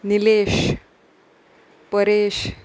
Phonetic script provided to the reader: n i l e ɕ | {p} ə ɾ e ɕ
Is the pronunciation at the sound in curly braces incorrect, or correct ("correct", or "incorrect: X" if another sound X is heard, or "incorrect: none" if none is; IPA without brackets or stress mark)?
correct